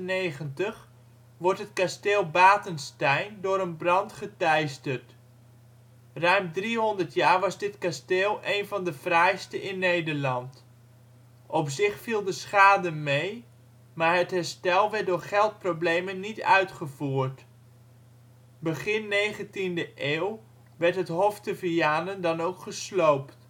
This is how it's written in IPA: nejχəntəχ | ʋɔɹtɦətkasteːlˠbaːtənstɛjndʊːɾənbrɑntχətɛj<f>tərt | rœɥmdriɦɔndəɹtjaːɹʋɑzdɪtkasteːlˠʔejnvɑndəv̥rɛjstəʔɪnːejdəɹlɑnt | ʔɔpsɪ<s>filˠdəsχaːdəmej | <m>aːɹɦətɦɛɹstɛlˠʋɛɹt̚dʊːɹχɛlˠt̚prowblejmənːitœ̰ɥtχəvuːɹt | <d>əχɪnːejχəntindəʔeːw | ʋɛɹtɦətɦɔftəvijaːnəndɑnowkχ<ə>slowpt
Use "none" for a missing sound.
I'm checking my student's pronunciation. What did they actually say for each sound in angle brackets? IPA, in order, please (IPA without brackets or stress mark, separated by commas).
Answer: s, χ, m, b, ə